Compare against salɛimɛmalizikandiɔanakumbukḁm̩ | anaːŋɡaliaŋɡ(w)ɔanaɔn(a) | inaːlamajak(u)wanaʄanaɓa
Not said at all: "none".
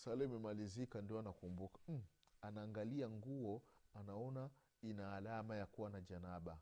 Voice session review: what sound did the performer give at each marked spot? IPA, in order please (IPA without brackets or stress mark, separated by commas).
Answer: u, a, u